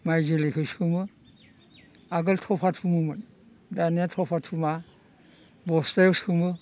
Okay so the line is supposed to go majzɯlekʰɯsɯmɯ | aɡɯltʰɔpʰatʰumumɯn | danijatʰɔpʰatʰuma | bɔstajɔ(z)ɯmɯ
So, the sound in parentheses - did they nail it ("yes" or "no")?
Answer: no